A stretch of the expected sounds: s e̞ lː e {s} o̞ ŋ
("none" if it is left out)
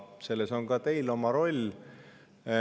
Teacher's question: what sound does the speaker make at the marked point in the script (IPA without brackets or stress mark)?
s